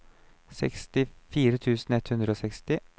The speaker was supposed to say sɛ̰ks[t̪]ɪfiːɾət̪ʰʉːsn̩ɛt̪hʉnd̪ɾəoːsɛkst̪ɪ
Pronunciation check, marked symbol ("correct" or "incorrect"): correct